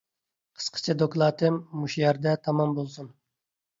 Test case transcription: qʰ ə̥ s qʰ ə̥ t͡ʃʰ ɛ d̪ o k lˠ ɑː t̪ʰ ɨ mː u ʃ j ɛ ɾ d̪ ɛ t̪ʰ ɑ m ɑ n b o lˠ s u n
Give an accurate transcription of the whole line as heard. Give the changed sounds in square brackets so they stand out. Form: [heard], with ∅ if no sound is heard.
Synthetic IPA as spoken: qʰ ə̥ s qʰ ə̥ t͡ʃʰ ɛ d̪ o k lˠ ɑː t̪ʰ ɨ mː u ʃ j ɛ ɾ d̪ ɛ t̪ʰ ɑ m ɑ [m] b o lˠ s u n